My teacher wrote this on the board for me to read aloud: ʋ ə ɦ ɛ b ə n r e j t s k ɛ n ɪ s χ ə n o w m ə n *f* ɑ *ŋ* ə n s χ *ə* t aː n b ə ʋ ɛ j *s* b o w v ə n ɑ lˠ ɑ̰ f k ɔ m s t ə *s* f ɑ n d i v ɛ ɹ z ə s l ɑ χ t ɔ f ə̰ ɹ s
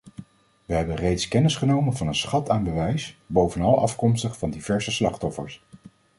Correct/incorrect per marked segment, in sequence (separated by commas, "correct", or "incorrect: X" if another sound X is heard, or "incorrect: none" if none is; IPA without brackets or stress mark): incorrect: v, incorrect: n, incorrect: ɑ, correct, incorrect: χ